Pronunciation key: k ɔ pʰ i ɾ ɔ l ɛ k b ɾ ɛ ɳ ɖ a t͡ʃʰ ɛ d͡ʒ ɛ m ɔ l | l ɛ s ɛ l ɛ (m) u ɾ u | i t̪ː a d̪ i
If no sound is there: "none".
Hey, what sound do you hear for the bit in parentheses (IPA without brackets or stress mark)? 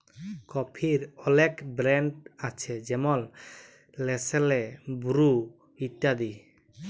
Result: b